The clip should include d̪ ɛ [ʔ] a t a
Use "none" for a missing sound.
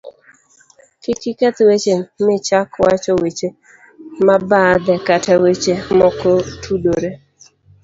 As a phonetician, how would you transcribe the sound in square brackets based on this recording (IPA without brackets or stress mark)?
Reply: k